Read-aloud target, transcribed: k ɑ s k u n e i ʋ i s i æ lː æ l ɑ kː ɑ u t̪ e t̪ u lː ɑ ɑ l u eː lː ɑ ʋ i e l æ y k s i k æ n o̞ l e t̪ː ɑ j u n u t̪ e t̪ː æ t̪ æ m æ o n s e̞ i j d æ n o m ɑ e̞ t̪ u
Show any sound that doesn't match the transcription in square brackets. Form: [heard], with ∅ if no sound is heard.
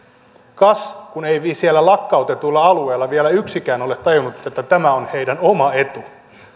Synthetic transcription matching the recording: k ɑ s k u n e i ʋ i s i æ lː æ l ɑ kː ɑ u t̪ e t̪ u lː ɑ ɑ l u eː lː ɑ ʋ i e l æ y k s i k [æː] n o̞ l e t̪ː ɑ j u n u t̪ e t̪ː æ t̪ æ m æ o n [h] e̞ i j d æ n o m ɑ e̞ t̪ u